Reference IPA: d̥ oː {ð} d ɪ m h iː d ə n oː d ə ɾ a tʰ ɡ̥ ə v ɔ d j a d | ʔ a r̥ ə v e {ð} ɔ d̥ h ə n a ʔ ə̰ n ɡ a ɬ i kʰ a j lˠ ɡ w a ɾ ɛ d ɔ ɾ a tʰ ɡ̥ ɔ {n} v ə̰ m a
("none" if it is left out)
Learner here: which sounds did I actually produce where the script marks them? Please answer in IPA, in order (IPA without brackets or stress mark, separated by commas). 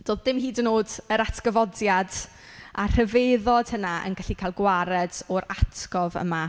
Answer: ð, ð, none